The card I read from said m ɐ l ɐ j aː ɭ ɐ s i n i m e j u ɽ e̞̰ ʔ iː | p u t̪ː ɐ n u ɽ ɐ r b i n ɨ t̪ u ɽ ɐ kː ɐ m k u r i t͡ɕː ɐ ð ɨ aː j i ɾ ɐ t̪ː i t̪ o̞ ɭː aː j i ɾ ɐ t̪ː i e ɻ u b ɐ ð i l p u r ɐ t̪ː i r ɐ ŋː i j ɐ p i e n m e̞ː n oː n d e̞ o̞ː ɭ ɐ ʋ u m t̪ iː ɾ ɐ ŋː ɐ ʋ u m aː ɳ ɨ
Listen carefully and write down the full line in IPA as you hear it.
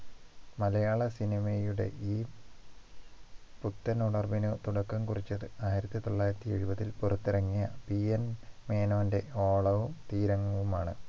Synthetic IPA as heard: m ɐ l ɐ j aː ɭ ɐ s i n i m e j u ɽ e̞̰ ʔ iː | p u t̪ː ɐ n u ɽ ɐ r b i n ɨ t̪ u ɽ ɐ kː ɐ m k u r i t͡ɕː ɐ ð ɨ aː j i ɾ ɐ t̪ː i t̪ o̞ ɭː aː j i ɾ ɐ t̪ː i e ɻ u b ɐ ð i l p u r ɐ t̪ː i r ɐ ŋː i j ɐ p i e n m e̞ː n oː n d e̞ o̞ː ɭ ɐ ʋ u m t̪ iː ɾ ɐ ŋː ɐ ʋ u m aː ɳ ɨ